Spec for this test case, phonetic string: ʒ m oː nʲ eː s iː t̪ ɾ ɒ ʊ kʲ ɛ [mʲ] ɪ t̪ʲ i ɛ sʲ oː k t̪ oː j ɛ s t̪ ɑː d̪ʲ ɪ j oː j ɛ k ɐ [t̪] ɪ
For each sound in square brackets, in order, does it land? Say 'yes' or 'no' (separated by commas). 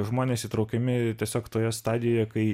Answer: yes, no